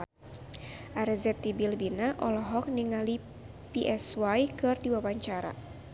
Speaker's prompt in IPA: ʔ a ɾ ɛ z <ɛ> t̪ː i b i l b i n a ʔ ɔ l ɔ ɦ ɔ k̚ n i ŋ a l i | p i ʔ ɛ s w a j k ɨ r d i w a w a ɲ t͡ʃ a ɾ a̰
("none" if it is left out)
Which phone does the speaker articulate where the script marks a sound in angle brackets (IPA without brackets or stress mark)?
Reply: ɛ